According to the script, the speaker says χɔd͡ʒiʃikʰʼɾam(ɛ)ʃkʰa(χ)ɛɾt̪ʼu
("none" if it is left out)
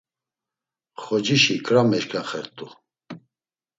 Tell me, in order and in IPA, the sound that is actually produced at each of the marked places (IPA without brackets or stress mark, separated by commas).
ɛ, χ